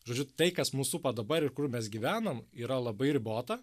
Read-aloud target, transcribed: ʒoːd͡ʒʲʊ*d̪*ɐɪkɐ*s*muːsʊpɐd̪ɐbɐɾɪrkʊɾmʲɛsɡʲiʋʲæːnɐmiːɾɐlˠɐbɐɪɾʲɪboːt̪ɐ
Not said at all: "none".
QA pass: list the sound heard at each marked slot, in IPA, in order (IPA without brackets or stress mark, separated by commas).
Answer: t̪, s